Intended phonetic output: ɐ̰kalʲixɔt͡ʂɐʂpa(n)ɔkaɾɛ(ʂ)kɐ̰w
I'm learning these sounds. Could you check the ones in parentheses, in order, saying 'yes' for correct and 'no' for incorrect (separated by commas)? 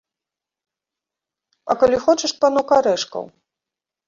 yes, yes